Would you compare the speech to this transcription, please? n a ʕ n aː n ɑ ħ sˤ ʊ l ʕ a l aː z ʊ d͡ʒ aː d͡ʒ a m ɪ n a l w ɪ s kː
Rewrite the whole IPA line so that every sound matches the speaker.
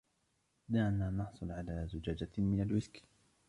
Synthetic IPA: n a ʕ n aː n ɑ ħ sˤ ʊ l ʕ a l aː z ʊ d͡ʒ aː d͡ʒ a m ɪ n a l w ɪ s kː